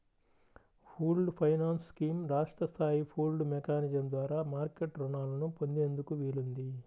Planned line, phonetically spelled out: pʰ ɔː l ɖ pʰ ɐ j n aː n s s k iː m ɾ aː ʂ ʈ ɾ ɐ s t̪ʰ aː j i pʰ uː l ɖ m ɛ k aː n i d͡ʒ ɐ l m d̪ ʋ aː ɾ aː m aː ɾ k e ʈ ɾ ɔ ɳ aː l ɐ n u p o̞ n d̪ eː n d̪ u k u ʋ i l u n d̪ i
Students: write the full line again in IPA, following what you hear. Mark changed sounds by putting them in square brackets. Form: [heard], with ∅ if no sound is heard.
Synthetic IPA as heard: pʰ [uː] l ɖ pʰ ɐ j n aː n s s k iː m ɾ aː ʂ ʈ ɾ ɐ s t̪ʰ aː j i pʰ uː l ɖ m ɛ k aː n i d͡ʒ ɐ [∅] m d̪ ʋ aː ɾ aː m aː ɾ k e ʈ ɾ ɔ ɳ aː l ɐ n u p o̞ n d̪ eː n d̪ u k u ʋ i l u n d̪ i